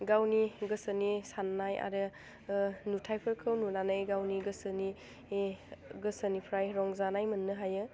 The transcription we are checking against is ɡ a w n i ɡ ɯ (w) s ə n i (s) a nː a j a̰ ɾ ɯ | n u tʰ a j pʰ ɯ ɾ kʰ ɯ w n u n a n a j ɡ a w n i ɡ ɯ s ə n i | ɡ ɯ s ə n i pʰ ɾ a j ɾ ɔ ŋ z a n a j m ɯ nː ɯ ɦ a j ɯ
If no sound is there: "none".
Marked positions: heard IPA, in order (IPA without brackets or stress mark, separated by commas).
none, s